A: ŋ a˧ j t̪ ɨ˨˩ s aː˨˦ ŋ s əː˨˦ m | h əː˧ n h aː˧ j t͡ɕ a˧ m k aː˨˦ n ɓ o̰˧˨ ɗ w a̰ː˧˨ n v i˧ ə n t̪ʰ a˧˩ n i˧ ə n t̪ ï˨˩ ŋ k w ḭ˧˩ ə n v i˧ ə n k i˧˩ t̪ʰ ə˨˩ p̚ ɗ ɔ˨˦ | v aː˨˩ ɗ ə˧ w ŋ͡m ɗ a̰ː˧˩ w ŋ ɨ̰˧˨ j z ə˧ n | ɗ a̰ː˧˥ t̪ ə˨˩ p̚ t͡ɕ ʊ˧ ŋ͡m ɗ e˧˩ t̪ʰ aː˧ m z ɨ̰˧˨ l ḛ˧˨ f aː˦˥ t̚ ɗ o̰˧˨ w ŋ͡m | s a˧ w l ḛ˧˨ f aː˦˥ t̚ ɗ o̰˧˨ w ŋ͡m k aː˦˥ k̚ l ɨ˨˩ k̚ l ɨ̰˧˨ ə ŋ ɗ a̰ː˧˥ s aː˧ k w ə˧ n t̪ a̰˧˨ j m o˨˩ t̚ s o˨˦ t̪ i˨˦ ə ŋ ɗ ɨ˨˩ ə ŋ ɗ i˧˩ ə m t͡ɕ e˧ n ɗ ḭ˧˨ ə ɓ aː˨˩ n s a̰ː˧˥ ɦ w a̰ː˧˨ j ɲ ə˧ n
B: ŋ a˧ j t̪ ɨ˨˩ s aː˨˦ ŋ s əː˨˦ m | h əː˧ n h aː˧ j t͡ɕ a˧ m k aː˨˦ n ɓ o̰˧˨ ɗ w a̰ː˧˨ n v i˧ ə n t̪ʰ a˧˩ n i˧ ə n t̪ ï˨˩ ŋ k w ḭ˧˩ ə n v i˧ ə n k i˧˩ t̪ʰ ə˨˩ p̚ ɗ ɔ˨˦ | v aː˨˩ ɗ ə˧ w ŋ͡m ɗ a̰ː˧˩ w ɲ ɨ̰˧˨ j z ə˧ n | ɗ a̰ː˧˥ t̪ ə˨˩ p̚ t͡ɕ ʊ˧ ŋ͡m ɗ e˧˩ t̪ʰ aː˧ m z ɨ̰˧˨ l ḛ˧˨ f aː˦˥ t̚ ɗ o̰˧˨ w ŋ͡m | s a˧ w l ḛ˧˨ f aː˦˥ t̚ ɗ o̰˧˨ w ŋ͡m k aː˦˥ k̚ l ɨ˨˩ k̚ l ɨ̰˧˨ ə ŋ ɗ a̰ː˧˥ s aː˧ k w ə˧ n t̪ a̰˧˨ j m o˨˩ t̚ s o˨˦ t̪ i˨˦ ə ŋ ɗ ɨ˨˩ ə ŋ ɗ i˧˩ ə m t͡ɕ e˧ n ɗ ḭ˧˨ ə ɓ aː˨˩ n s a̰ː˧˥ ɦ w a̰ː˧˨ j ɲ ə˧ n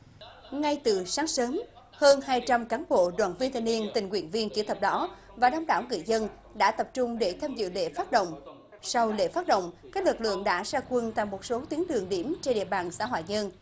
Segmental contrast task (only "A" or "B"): A